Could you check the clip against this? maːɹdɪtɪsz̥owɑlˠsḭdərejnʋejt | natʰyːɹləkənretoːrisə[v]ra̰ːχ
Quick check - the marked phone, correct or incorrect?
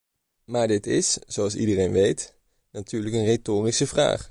correct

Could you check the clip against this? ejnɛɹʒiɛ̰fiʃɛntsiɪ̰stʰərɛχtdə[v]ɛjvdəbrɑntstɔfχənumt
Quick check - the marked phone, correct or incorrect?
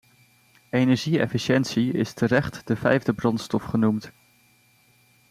correct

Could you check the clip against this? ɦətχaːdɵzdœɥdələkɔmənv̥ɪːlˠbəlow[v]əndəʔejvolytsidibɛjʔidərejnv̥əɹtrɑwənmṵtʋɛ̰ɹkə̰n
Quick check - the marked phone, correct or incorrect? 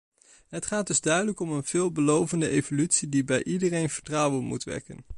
correct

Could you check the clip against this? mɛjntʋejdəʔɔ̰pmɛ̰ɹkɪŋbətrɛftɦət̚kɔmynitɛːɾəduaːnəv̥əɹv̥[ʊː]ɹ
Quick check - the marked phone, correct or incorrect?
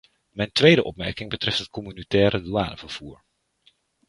incorrect: uː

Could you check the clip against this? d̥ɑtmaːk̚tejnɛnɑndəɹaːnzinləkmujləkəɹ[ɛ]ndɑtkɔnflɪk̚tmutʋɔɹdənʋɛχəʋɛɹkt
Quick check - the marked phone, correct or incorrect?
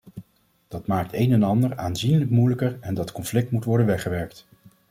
correct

